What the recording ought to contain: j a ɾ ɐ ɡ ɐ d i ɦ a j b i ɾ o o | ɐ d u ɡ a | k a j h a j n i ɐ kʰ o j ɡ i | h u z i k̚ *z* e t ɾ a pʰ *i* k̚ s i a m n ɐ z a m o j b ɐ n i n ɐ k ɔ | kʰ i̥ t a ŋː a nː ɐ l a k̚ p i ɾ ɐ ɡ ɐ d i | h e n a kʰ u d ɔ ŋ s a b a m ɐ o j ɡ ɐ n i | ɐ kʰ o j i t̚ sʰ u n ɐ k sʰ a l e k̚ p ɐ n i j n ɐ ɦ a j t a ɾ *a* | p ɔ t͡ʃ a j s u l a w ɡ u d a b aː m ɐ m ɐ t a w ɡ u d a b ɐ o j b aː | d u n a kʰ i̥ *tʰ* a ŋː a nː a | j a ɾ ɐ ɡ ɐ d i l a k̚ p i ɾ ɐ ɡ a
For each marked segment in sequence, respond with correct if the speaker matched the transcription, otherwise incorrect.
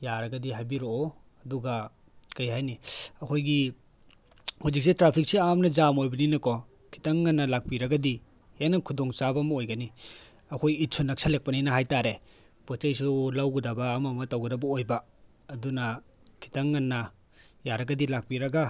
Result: incorrect, correct, incorrect, incorrect

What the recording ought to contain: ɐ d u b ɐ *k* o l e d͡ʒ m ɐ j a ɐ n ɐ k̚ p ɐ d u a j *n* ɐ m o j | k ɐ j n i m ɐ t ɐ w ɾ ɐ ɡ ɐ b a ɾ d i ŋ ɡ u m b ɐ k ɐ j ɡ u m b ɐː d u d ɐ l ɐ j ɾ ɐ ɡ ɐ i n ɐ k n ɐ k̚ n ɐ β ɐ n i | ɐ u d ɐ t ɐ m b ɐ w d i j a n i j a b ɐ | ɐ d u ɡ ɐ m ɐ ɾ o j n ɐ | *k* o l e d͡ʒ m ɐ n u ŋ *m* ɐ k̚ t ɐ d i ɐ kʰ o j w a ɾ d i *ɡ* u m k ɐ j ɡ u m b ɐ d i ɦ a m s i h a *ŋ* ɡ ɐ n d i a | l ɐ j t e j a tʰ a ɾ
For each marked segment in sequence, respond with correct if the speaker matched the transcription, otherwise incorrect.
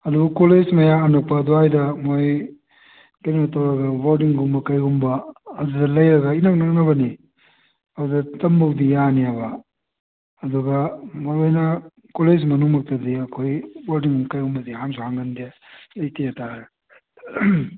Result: correct, incorrect, correct, correct, incorrect, correct

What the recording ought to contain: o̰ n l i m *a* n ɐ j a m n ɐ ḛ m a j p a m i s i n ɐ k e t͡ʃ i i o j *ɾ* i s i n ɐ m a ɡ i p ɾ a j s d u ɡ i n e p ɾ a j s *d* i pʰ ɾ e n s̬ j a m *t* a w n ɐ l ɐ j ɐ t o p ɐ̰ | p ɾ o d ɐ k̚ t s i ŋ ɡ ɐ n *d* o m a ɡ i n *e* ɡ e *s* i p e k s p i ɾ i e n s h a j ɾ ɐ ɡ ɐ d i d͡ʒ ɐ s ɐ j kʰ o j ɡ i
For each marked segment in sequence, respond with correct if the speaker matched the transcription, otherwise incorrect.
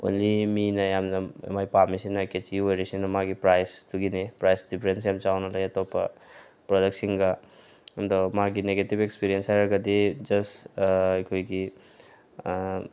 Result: incorrect, correct, correct, incorrect, correct, correct, incorrect

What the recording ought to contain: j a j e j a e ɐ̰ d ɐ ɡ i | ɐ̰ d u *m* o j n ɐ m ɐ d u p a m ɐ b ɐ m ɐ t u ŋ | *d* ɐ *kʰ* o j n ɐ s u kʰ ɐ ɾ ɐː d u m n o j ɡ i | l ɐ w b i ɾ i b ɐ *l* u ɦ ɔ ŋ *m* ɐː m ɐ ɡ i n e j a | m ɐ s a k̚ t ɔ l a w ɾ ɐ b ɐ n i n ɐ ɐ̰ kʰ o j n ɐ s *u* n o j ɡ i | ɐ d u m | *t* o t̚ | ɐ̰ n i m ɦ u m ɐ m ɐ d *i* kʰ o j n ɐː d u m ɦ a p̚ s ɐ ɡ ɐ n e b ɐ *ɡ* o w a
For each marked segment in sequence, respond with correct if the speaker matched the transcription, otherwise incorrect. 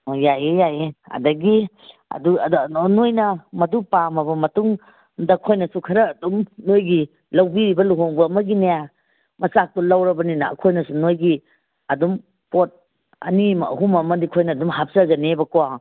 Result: incorrect, correct, correct, correct, incorrect, correct, incorrect, correct, incorrect

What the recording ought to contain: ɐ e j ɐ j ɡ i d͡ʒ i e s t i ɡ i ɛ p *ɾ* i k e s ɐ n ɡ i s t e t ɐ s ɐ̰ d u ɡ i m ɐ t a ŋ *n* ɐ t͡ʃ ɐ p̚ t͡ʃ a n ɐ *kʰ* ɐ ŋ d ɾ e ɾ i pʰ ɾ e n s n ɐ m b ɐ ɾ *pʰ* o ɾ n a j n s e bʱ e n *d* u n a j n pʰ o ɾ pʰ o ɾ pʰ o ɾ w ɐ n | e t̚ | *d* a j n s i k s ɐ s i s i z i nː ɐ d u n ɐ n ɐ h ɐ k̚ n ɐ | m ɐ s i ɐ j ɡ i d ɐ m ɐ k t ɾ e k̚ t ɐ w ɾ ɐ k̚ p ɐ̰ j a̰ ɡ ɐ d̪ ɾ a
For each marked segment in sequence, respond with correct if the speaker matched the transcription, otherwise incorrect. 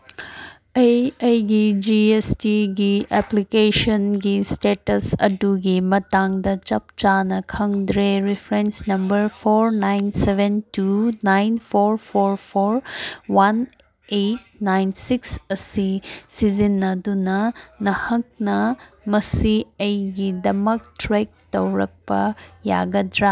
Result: incorrect, incorrect, correct, correct, incorrect, incorrect

